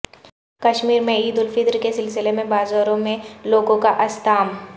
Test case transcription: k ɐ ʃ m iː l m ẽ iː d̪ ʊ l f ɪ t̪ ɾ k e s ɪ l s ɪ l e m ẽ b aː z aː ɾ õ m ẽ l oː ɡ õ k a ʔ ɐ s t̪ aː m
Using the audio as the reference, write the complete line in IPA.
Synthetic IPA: k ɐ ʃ m iː ɾ m ẽ iː d̪ ʊ l f ɪ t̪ ɾ k e s ɪ l s ɪ l e m ẽ b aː z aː ɾ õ m ẽ l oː ɡ õ k a ʔ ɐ s t̪ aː m

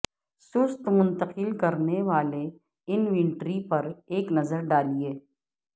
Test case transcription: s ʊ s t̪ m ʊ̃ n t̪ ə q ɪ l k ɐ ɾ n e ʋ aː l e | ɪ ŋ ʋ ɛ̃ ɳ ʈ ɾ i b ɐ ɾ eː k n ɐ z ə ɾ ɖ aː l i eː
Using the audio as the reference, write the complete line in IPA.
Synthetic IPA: s ʊ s t̪ m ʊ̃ n t̪ ə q ɪ l k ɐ ɾ n e ʋ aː l e | ɪ n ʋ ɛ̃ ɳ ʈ ɾ i p ɐ ɾ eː k n ɐ z ə ɾ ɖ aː l i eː

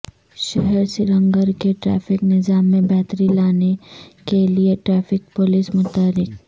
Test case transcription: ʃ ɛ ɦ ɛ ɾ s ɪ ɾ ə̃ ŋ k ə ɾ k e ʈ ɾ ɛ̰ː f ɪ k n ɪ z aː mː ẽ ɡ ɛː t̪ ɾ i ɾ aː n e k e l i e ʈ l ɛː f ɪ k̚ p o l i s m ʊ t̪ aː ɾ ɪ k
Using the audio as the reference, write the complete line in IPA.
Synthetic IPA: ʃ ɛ ɦ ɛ ɾ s ɪ ɾ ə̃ ŋ ɡ ə ɾ k e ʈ ɾ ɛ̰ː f ɪ k n ɪ z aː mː ẽ b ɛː t̪ ɾ i l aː n e k e l i e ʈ ɾ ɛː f ɪ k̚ p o l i s m ʊ t̪ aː ɾ ɪ k

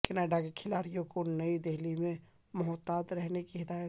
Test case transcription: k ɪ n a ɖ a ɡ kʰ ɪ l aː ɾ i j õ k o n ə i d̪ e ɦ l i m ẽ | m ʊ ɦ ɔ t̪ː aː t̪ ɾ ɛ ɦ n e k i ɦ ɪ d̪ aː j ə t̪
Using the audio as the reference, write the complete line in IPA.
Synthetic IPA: k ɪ n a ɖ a ɡ kʰ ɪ l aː ɾ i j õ k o n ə i d̪ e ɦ l i m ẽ | m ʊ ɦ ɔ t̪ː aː t̪ ɾ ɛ ɦ n e k i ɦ ɪ d̪ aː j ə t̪

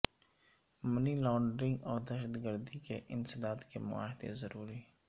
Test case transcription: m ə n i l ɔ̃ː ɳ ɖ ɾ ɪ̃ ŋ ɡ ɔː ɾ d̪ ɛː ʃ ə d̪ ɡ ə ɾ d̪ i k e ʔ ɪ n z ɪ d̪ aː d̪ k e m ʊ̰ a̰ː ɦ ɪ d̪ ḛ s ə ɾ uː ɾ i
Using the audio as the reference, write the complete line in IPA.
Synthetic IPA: m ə n i l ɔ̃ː ɳ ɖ ɾ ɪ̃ ŋ ɡ ɔː ɾ d̪ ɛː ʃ ə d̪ ɡ ə ɾ d̪ i k e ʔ ɪ n s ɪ d̪ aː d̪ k e m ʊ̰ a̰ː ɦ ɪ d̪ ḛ z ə ɾ uː ɾ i

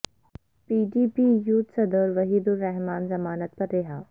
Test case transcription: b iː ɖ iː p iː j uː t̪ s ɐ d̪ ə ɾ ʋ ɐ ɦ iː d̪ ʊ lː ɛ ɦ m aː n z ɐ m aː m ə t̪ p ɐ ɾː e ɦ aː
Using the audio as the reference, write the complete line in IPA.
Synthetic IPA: p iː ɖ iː p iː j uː t̪ s ɐ d̪ ə ɾ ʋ ɐ ɦ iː d̪ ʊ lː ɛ ɦ m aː n z ɐ m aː n ə t̪ p ɐ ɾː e ɦ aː

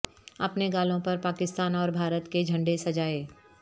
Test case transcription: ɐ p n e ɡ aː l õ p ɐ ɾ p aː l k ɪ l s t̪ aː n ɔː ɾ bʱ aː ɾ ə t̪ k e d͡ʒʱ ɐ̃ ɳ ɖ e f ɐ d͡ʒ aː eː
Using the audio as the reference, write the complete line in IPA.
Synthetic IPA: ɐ p n e ɡ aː l õ p ɐ ɾ p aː k ɪ s t̪ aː n ɔː ɾ bʱ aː ɾ ə t̪ k e d͡ʒʱ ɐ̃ ɳ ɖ e s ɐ d͡ʒ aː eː

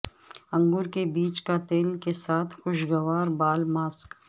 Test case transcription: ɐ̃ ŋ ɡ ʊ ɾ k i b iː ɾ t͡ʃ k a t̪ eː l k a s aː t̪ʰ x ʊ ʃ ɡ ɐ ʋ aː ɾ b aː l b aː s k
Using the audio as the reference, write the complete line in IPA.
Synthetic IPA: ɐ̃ ŋ ɡ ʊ ɾ k e b iː t͡ʃ k a t̪ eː l k e s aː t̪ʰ x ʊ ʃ ɡ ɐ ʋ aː ɾ b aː l m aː s k

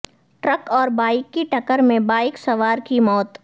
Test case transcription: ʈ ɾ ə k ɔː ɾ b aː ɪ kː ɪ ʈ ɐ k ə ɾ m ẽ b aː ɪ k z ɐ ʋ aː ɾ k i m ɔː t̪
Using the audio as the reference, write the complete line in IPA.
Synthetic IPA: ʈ ɾ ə k ɔː ɾ b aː ɪ kː i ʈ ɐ k ə ɾ m ẽ b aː ɪ k s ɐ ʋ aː ɾ k i m ɔː t̪

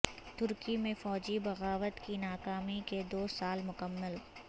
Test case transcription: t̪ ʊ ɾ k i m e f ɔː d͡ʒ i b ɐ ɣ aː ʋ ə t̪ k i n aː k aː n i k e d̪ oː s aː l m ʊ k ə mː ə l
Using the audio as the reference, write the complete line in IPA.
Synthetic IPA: t̪ ʊ ɾ k i m ẽ f ɔː d͡ʒ i b ɐ ɣ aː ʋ ə t̪ k i n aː k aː m i k e d̪ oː s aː l m ʊ k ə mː ə l

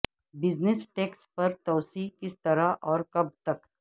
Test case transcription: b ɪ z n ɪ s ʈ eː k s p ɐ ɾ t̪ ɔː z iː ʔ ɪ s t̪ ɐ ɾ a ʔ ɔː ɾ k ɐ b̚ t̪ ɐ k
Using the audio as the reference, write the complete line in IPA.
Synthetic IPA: b ɪ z n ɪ s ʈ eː k s p ɐ ɾ t̪ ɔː s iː k ɪ s t̪ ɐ ɾ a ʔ ɔː ɾ k ɐ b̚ t̪ ɐ k

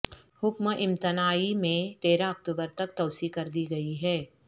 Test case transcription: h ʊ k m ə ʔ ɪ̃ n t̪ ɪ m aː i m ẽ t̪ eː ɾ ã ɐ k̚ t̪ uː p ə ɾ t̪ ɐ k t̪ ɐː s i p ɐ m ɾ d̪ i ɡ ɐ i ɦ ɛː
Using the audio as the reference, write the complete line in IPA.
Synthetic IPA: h ʊ k m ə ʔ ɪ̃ m t̪ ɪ n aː i m ẽ t̪ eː ɾ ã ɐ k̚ t̪ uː b ə ɾ t̪ ɐ k t̪ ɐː s i k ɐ ɾ d̪ i ɡ ɐ i ɦ ɛː

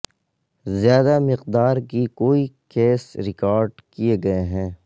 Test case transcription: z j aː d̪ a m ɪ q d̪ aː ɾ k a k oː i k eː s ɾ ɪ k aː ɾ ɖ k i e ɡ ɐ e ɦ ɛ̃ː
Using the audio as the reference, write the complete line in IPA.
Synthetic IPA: z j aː d̪ a m ɪ q d̪ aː ɾ k i k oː i k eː s ɾ ɪ k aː ɾ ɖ k i e ɡ ɐ e ɦ ɛ̃ː

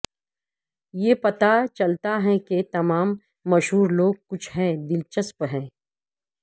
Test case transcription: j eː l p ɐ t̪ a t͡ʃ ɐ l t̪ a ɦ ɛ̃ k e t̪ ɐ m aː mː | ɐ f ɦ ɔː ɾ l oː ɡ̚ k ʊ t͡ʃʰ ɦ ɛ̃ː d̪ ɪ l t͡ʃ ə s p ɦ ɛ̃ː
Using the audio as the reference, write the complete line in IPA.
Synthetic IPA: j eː p ɐ t̪ a t͡ʃ ɐ l t̪ a ɦ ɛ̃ k e t̪ ɐ m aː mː | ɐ ʃ ɦ uː ɾ l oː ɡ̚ k ʊ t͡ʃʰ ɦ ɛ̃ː d̪ ɪ l t͡ʃ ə s p ɦ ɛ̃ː

